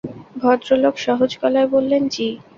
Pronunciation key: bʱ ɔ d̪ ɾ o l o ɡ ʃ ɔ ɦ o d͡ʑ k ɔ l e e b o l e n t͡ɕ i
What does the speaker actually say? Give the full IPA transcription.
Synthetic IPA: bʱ ɔ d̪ ɾ o l o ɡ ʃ ɔ ɦ o d͡ʑ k ɔ l a e b o lː e n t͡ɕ i